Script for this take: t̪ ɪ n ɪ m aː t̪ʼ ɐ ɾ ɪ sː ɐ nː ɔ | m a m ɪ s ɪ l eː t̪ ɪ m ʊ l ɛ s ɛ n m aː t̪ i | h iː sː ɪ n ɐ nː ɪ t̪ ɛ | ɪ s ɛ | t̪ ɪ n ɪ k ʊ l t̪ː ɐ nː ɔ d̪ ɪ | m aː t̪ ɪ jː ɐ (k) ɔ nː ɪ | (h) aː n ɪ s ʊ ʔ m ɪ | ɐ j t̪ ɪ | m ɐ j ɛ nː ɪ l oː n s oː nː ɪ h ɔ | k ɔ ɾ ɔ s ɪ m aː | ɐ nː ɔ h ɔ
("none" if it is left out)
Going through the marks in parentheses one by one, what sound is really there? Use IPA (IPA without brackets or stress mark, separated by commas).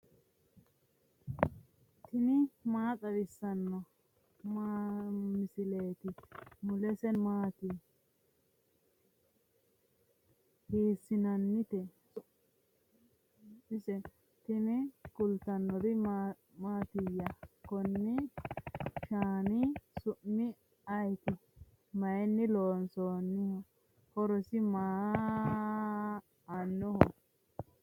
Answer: k, ʃ